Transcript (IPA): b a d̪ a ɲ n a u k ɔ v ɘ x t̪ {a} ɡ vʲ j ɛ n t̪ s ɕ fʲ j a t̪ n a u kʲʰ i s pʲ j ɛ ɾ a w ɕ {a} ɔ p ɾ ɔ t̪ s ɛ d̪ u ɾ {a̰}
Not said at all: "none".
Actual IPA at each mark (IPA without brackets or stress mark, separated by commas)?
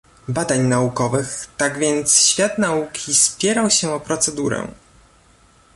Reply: a, ɛ, ɛ̰